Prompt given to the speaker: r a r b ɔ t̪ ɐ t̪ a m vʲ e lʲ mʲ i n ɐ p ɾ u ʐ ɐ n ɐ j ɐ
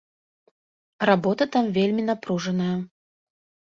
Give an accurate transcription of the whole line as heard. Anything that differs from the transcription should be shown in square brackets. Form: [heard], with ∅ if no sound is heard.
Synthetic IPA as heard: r a [∅] b ɔ t̪ ɐ t̪ a m vʲ e lʲ mʲ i n [a] p ɾ u ʐ ɐ n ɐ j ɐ

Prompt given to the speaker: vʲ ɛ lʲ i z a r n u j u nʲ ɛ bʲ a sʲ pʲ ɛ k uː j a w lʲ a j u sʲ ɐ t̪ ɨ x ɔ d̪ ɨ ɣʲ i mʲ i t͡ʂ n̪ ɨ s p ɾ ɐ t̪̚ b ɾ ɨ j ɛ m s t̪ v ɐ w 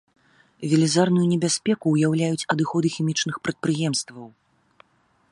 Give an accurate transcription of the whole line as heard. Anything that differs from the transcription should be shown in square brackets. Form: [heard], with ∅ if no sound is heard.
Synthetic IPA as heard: vʲ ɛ lʲ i z a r n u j u nʲ ɛ bʲ a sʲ pʲ ɛ k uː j a w lʲ a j u [t͡sʲ] ɐ [d̪] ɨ x ɔ d̪ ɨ [xʲ] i mʲ i t͡ʂ n̪ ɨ [x] p ɾ ɐ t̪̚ [p] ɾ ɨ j ɛ m s t̪ v ɐ w

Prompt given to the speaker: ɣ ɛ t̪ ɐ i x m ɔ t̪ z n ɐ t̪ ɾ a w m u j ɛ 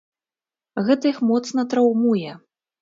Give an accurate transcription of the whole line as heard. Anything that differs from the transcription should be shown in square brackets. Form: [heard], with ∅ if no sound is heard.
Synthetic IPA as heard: ɣ ɛ t̪ ɐ i x m ɔ t̪ [s] n ɐ t̪ ɾ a w m u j ɛ

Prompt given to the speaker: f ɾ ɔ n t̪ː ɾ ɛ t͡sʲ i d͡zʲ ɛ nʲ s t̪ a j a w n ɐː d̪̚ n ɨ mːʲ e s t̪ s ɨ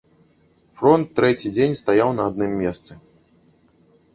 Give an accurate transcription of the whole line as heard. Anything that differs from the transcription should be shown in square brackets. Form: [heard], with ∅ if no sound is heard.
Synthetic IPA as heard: f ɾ ɔ n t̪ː ɾ ɛ t͡sʲ i d͡zʲ [e] nʲ s t̪ a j a w n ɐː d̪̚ n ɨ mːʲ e s t̪ s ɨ

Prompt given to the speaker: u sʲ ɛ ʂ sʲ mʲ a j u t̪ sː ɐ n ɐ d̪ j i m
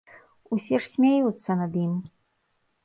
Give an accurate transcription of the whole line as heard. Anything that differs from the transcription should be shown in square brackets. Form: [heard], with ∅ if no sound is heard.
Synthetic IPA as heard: u sʲ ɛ ʂ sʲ mʲ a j u t̪ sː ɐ n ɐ d̪ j i m

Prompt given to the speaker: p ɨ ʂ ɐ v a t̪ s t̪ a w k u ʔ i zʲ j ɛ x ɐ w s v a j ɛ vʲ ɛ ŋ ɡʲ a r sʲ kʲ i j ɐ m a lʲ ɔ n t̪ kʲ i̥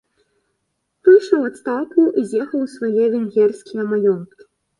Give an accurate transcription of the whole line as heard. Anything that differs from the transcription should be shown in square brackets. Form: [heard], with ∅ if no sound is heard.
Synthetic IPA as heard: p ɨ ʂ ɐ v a t̪ s t̪ a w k u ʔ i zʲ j ɛ x ɐ w s v a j ɛ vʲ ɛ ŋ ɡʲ [ɛ] r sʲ kʲ i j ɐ m a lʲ ɔ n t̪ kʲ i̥

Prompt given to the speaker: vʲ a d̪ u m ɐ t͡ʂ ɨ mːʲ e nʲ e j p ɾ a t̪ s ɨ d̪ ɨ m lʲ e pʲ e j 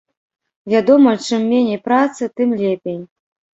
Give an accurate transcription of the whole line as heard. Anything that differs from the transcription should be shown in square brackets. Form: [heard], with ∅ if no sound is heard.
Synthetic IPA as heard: vʲ a d̪ [ɔ] m ɐ t͡ʂ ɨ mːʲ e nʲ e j p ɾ a t̪ s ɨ [t̪] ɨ m lʲ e pʲ e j

